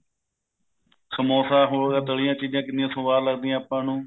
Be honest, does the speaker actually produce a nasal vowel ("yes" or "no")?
yes